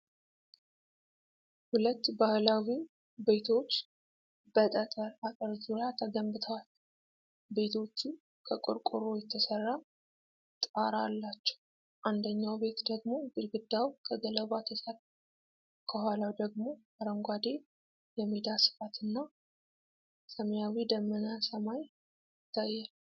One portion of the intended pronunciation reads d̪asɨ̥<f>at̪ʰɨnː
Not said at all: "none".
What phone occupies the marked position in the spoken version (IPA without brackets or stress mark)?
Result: f